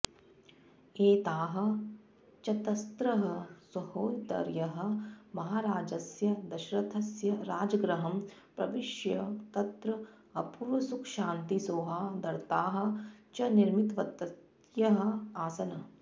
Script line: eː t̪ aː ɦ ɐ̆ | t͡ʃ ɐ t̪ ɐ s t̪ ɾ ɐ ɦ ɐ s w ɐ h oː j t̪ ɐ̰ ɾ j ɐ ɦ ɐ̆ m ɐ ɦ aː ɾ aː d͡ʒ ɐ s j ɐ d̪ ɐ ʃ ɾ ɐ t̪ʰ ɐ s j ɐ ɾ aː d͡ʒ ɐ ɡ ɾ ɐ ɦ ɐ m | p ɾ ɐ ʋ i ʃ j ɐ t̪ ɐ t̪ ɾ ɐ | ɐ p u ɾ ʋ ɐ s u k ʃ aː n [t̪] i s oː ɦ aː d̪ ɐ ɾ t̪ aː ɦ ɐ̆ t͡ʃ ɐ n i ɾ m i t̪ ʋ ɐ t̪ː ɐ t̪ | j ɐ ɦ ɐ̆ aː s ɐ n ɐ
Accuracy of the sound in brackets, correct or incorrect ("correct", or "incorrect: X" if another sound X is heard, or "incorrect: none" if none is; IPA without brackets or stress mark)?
correct